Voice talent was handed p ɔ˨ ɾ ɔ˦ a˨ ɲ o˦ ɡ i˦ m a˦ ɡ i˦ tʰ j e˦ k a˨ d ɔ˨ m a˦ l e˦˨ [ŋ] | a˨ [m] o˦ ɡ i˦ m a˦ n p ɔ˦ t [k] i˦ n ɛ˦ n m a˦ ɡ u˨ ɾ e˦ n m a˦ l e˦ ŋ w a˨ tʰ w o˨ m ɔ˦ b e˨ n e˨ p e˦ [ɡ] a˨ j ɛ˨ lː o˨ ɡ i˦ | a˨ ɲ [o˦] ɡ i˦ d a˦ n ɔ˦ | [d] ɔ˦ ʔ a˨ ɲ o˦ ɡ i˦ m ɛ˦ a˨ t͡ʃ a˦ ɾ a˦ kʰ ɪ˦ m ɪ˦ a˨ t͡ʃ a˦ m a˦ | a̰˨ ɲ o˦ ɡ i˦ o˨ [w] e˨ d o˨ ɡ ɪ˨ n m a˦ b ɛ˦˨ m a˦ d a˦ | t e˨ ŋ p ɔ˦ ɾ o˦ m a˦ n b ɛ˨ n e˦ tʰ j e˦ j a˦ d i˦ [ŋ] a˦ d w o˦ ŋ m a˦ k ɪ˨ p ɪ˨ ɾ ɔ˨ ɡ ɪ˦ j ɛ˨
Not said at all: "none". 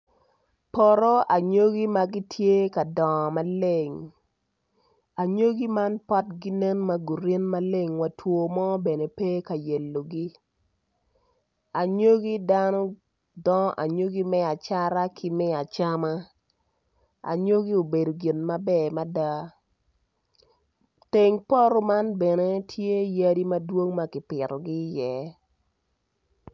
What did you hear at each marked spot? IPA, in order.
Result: ŋ, ɲ, ɡ, k, o˦, d, b, m

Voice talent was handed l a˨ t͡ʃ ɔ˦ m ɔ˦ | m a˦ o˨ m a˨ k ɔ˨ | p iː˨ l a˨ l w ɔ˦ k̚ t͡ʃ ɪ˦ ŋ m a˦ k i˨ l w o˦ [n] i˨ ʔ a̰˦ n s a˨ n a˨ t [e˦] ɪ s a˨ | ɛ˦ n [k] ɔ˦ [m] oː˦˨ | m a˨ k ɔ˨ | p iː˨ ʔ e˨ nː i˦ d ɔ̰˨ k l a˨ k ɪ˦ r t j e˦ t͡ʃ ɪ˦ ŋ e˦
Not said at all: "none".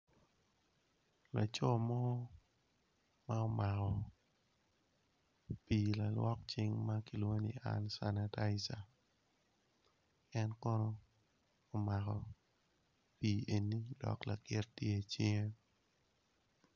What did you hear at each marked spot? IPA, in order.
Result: n, a˦, k, n

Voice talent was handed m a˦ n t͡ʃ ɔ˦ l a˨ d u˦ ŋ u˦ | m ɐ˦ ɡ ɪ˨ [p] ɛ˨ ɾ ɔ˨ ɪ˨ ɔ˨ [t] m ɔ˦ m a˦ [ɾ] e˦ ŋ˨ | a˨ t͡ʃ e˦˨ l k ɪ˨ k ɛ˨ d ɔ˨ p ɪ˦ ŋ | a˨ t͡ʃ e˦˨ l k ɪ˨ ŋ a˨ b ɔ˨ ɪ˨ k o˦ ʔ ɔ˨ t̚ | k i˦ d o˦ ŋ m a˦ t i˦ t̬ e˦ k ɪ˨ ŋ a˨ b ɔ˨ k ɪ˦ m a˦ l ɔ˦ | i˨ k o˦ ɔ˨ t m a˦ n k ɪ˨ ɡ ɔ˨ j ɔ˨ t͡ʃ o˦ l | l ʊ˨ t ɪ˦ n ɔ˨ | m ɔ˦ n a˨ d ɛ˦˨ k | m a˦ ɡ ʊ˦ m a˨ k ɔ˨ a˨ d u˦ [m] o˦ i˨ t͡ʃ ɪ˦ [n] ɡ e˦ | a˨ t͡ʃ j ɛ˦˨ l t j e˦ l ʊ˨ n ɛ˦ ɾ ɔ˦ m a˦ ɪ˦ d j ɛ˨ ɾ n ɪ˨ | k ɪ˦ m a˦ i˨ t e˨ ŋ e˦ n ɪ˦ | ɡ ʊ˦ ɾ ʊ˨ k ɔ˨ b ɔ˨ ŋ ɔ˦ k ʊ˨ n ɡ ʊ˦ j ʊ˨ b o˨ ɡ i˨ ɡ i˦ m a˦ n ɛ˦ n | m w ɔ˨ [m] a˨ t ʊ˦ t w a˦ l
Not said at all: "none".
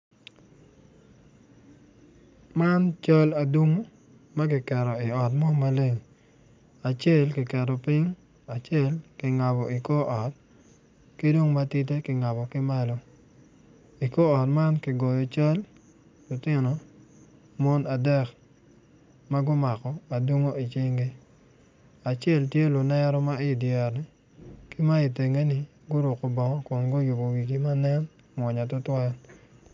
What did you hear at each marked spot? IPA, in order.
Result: k, t, l, ŋ, ŋ, ɲ

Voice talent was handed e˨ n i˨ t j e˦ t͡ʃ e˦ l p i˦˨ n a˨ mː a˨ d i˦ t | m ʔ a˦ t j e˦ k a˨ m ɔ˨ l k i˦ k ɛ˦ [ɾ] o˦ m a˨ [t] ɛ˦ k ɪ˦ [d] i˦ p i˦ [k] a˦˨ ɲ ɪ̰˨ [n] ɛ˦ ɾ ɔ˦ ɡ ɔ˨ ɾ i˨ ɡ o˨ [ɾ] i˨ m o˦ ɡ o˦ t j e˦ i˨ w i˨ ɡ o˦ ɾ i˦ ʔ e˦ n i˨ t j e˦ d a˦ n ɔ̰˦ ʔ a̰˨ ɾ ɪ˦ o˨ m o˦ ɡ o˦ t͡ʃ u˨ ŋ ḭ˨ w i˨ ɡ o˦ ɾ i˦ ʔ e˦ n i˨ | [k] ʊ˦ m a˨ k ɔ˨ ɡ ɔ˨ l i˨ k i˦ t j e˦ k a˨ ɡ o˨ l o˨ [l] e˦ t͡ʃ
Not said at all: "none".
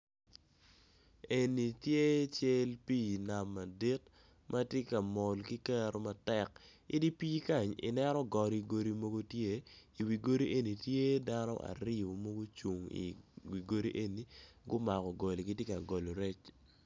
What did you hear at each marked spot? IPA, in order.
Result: ɾ, t, d, k, n, ɾ, ɡ, ɾ

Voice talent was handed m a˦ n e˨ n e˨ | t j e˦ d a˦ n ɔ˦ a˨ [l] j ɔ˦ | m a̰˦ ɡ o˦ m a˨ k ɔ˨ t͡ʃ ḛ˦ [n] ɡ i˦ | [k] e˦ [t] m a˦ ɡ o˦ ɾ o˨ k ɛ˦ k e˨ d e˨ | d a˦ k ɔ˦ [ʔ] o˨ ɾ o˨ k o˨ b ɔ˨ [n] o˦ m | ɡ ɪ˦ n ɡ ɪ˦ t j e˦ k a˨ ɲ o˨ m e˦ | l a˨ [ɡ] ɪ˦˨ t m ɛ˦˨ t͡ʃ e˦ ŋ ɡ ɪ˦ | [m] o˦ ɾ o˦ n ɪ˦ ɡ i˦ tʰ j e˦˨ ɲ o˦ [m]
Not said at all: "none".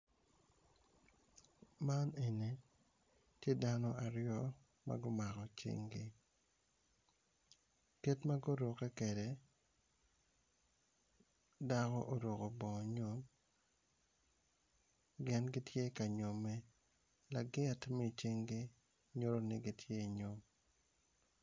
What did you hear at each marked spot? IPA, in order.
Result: ɾ, ŋ, k, t, ʔ, ɲ, ɡ, ɲ, m

